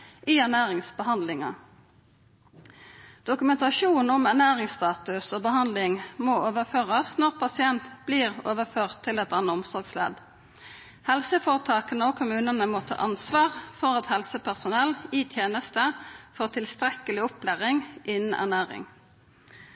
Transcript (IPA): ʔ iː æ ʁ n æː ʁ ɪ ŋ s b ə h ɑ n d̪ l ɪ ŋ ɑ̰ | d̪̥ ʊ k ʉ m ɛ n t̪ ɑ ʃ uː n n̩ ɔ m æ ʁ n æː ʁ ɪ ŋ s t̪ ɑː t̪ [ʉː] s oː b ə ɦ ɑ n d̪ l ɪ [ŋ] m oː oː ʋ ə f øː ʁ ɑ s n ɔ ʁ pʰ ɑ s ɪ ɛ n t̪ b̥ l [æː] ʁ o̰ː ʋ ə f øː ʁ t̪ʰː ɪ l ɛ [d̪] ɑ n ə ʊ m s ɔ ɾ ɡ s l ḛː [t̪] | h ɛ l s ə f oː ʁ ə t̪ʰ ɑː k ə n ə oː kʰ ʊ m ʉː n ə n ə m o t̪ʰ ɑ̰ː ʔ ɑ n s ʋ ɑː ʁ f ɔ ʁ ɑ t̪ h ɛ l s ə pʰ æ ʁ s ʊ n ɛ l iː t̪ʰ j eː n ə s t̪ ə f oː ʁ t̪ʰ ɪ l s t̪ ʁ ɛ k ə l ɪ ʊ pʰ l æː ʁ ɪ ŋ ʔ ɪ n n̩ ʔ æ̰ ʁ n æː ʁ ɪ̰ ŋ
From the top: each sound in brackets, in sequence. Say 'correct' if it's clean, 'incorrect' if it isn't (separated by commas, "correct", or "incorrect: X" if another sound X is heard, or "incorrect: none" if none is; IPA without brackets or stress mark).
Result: incorrect: ʉ, correct, incorrect: iː, incorrect: t̪, incorrect: d̪